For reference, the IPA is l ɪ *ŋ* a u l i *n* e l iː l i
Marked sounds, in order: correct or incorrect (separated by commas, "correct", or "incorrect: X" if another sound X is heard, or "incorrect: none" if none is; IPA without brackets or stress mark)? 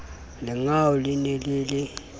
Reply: correct, correct